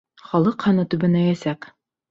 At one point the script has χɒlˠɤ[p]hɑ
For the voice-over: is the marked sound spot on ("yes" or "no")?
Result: no